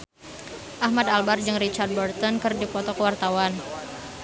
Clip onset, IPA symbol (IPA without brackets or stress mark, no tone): ʔ